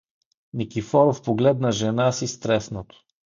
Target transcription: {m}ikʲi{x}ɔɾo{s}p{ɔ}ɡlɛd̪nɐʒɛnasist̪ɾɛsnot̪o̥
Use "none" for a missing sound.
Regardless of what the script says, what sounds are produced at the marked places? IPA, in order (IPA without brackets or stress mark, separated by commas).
n, f, f, o